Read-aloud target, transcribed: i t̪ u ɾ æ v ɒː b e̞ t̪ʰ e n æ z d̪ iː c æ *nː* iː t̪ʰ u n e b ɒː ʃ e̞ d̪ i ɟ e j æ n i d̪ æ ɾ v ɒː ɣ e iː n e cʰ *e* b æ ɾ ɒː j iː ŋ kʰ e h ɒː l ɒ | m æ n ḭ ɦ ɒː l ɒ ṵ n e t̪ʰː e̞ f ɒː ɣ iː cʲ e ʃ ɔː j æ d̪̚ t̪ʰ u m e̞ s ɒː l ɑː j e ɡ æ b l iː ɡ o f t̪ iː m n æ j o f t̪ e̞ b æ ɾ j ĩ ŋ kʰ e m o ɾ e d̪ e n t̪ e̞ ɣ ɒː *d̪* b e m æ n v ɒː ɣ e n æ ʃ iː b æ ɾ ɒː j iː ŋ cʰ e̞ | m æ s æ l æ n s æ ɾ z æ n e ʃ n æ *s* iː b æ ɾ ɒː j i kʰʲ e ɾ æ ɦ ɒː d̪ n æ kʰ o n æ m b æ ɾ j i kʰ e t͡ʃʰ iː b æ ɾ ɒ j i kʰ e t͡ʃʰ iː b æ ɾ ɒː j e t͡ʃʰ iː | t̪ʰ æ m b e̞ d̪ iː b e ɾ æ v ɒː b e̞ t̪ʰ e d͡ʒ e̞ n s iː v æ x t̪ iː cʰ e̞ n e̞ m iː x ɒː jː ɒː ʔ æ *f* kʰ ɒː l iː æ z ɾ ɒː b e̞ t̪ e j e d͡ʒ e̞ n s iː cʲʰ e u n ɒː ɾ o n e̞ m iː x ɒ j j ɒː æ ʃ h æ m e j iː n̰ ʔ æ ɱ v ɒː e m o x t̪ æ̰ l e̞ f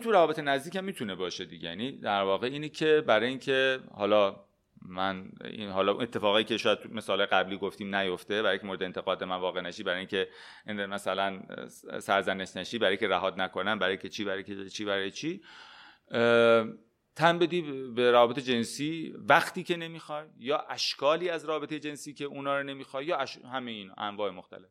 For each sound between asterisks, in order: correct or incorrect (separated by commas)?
incorrect, correct, correct, incorrect, incorrect